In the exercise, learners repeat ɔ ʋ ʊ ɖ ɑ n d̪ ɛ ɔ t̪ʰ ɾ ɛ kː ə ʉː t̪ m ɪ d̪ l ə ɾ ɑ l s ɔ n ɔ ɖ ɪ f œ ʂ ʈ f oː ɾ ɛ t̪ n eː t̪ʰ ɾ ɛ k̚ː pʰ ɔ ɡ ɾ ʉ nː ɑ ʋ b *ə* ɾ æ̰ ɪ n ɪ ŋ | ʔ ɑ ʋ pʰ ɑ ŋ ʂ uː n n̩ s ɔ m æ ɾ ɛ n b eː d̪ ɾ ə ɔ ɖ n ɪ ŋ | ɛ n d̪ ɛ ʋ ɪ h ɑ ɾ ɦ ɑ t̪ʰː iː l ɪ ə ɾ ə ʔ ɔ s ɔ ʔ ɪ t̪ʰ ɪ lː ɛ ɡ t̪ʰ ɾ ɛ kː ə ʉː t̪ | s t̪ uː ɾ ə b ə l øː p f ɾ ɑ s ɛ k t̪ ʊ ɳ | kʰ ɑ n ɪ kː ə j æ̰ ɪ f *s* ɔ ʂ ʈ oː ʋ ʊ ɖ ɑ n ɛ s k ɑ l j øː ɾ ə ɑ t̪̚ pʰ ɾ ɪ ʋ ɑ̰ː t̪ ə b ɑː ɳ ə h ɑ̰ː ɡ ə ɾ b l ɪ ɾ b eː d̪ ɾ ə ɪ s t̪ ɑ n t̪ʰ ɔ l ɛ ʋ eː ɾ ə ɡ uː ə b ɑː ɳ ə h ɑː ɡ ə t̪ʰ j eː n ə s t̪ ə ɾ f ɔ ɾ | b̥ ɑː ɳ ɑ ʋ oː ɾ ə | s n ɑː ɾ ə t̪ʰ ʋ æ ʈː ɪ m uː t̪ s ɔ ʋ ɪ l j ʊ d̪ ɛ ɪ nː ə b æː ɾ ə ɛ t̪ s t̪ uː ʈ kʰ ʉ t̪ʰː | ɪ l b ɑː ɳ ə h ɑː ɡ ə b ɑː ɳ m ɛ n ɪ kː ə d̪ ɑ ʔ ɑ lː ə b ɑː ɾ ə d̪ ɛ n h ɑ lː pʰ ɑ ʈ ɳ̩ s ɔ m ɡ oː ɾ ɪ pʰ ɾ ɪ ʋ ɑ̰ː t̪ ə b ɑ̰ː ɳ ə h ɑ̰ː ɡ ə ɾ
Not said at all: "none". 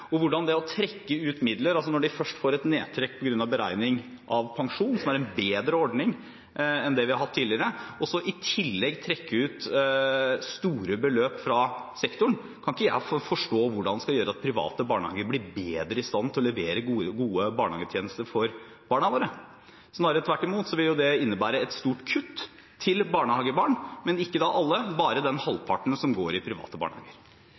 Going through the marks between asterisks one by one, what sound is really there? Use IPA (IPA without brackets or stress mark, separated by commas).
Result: ə, f